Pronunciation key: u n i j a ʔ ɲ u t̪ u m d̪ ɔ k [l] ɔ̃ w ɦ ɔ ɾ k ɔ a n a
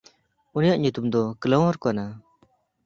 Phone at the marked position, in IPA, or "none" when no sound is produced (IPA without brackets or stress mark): l